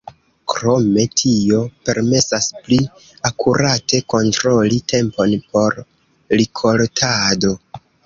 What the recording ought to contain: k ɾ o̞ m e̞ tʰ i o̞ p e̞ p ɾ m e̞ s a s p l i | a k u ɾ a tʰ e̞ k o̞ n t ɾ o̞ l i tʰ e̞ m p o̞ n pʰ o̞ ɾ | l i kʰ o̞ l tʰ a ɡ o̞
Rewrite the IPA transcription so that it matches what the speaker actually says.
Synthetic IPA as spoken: k ɾ o̞ m e̞ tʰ i o̞ p e̞ ɾ m e̞ s a s p l i | a k u ɾ a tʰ e̞ k o̞ n t ɾ o̞ l i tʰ e̞ m p o̞ n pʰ o̞ ɾ | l i kʰ o̞ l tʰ a d o̞